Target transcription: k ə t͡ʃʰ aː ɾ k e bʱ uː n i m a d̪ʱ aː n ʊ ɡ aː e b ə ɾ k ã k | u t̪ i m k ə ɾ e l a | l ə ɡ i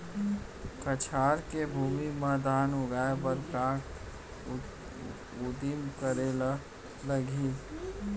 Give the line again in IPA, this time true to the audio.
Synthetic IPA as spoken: k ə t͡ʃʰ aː ɾ k e bʱ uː m i m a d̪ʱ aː n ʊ ɡ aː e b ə ɾ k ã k | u d̪ i m k ə ɾ e l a | l ə ɡ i